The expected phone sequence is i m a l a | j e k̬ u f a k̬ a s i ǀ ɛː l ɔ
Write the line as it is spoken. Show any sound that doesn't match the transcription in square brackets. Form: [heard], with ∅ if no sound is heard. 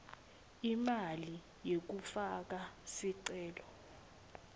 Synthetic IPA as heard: i m a l [i] | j e k̬ u f a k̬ a s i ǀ ɛː l ɔ